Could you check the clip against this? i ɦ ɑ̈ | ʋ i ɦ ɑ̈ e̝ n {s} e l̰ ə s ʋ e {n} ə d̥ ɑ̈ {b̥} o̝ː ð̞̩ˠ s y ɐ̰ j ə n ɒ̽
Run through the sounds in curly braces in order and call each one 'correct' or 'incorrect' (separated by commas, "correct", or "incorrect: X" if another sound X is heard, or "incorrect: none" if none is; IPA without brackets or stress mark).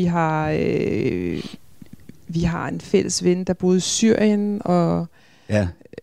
incorrect: f, correct, correct